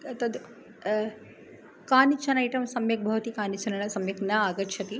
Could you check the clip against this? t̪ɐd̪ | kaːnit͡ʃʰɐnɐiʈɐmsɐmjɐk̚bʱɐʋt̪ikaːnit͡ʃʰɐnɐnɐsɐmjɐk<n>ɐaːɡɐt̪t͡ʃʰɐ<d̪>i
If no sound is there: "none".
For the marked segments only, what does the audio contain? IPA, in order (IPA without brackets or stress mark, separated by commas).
n, t̪